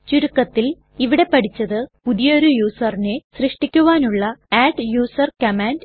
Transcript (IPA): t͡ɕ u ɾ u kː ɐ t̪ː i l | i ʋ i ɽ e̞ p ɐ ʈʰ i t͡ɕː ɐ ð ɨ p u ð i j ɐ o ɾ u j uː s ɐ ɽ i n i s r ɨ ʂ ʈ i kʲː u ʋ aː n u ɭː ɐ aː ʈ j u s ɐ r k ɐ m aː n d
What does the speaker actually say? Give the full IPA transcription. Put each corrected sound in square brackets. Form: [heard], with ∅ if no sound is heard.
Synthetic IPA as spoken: t͡ɕ u ɾ u kː ɐ t̪ː i l | i ʋ i ɽ e̞ p ɐ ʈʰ i t͡ɕː ɐ ð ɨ p u ð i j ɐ o ɾ u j uː s ɐ [r] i n [e] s r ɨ ʂ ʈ i kʲː u ʋ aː n u ɭː ɐ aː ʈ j [uː] s ɐ r k ɐ m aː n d